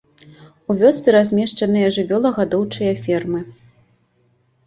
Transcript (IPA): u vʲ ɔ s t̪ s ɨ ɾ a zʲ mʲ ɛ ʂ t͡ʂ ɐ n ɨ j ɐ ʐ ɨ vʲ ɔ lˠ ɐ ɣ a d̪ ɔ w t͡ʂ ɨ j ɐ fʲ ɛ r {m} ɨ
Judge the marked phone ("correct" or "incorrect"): correct